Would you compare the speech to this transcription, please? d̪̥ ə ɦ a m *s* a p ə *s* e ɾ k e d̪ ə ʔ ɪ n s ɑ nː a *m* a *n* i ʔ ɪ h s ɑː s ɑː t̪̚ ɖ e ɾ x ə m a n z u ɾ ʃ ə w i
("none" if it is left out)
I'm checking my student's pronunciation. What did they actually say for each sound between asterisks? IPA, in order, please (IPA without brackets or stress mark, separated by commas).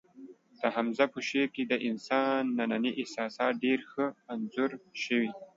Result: z, ʃ, n, n